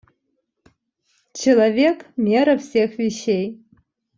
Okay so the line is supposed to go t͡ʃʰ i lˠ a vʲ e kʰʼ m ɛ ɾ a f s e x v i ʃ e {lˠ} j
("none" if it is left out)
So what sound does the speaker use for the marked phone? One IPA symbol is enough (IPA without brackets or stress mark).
none